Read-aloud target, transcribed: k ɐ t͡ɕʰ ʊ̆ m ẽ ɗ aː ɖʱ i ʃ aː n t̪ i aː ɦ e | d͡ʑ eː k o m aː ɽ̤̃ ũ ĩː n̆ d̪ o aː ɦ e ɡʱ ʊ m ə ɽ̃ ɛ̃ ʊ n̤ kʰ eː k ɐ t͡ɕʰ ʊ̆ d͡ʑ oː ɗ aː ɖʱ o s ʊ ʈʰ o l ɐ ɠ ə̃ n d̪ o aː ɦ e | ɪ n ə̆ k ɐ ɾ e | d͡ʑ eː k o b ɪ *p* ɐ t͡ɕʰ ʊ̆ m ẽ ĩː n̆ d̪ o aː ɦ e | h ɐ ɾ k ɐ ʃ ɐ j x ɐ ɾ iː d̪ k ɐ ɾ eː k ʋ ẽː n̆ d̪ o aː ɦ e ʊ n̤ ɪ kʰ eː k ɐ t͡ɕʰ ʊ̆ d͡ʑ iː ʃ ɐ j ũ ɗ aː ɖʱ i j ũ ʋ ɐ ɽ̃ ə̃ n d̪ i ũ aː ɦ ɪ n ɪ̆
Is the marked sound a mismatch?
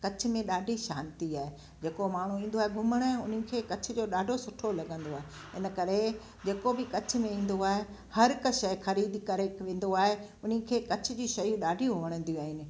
yes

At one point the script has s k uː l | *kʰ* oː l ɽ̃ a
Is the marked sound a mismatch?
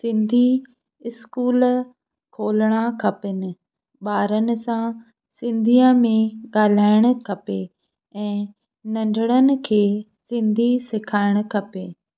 no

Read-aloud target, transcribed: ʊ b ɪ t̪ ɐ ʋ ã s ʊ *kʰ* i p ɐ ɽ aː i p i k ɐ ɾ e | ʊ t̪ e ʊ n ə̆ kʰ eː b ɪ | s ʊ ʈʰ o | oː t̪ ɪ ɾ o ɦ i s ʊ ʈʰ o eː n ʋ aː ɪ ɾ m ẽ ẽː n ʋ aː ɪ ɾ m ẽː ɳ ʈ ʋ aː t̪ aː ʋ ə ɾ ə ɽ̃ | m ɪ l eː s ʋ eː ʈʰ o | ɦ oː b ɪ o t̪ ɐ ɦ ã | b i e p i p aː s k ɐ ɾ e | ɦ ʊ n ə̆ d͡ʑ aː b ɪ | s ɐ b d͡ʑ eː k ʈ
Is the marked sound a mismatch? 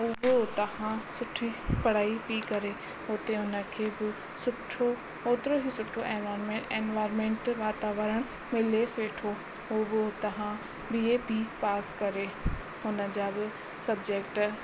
yes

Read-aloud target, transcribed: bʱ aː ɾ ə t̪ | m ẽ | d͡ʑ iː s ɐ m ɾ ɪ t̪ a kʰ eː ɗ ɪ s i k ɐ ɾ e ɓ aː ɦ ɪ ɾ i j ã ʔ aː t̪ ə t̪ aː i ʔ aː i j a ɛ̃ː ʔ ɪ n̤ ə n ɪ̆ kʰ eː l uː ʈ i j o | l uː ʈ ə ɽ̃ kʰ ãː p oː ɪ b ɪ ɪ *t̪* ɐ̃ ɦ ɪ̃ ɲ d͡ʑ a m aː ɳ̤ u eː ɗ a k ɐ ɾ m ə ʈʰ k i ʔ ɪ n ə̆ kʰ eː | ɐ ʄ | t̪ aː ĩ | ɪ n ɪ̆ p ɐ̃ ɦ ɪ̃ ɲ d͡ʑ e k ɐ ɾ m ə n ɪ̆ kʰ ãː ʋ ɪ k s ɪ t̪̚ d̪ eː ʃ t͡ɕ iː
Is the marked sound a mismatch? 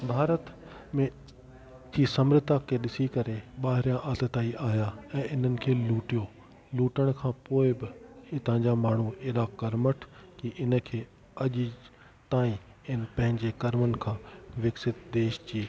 no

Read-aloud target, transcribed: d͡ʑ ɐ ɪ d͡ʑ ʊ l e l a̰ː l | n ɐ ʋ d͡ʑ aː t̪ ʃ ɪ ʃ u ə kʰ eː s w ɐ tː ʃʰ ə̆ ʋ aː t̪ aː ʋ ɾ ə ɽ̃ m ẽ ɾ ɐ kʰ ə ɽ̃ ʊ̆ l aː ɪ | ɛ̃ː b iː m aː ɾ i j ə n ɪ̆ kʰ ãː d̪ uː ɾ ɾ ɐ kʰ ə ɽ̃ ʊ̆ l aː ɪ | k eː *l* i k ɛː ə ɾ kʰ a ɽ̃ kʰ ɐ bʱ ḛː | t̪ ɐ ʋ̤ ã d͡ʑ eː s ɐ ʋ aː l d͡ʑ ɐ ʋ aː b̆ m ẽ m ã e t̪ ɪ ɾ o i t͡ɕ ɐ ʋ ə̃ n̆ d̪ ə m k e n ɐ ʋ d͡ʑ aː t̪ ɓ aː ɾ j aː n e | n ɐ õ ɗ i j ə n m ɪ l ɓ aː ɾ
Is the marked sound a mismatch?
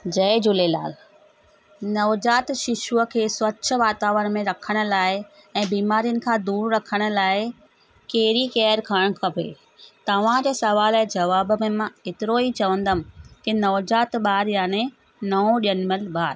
yes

